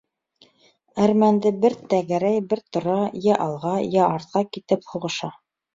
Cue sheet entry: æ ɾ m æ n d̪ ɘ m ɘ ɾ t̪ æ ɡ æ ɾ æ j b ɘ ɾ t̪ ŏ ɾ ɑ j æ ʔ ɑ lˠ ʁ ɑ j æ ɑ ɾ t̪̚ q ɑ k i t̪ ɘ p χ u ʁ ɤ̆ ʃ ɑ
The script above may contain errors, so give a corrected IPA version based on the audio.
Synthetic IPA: æ ɾ m æ n d̪ ɘ b ɘ ɾ t̪ æ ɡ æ ɾ æ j b ɘ ɾ t̪ ŏ ɾ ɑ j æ ʔ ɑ lˠ ʁ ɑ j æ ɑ ɾ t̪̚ q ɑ k i t̪ ɘ p h u ʁ ɤ̆ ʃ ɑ